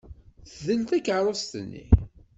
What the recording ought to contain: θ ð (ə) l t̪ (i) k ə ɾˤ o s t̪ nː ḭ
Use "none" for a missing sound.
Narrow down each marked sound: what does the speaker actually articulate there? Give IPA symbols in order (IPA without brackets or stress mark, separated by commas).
ə, æ